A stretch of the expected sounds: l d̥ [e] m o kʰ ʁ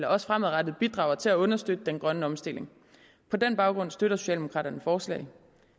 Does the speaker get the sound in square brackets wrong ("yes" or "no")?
no